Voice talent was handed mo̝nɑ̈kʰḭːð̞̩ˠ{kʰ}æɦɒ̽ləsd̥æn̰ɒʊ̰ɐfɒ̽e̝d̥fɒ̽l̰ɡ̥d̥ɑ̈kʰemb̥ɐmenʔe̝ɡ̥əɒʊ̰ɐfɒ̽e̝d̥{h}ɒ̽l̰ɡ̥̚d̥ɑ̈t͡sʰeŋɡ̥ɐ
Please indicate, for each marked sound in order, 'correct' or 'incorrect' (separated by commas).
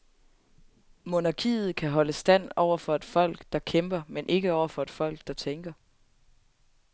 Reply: correct, incorrect